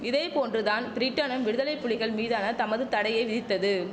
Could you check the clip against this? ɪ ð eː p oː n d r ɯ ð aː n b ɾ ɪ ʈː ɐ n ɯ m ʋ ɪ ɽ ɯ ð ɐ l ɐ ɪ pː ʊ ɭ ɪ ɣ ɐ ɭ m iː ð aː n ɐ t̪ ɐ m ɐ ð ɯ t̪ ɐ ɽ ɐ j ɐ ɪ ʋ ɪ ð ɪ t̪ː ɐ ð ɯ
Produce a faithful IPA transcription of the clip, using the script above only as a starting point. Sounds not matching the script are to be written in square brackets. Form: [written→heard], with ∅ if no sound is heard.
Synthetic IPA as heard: ɪ ð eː p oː n d r ɯ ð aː n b ɾ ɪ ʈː ɐ n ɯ m ʋ ɪ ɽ ɯ ð ɐ l ɐ ɪ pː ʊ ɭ ɪ ɣ ɐ ɭ m iː ð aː n ɐ t̪ ɐ m ɐ ð ɯ t̪ ɐ ɽ ɐ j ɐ ɪ ʋ ɪ ð ɪ t̪ː ɐ ð ɯ